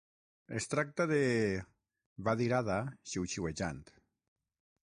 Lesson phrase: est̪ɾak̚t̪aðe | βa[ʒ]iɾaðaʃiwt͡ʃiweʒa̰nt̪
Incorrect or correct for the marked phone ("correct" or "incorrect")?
incorrect